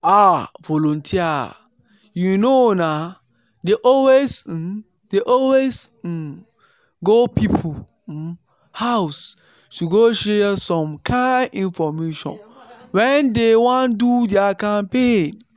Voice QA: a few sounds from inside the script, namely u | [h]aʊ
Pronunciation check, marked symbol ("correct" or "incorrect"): correct